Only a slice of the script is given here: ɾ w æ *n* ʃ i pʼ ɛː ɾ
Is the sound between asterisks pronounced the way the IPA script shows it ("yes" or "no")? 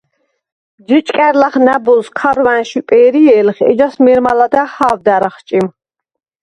yes